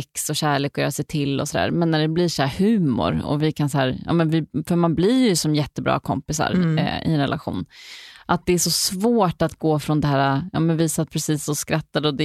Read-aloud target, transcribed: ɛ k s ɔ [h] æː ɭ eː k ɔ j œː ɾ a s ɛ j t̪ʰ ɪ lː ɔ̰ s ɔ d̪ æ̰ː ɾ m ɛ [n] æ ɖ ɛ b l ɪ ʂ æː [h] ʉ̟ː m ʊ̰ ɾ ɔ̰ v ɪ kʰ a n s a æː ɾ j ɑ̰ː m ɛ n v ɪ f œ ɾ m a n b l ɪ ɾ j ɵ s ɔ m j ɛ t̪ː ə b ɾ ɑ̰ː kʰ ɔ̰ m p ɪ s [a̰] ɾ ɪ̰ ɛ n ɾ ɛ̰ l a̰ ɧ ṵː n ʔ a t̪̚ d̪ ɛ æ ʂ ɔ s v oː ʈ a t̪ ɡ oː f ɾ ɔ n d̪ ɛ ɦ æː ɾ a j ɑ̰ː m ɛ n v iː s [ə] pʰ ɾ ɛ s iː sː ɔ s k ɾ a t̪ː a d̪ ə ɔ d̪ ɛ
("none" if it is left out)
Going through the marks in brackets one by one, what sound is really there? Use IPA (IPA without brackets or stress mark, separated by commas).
ɕ, nː, h, a̰, a